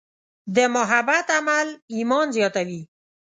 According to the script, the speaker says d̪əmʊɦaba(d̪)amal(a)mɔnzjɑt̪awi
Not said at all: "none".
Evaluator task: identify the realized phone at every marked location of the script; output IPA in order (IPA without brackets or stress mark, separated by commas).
t̪, i